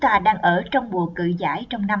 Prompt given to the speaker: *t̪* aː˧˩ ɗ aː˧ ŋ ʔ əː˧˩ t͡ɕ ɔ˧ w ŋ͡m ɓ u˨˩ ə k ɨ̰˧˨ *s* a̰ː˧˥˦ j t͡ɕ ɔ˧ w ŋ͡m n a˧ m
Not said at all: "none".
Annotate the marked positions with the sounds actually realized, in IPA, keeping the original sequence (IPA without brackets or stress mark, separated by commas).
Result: t̪, z